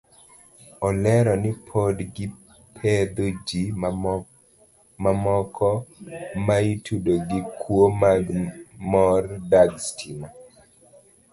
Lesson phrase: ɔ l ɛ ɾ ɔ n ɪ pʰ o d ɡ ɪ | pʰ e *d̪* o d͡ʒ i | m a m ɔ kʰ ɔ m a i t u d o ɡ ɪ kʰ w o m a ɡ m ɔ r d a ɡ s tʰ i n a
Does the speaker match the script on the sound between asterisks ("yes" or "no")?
yes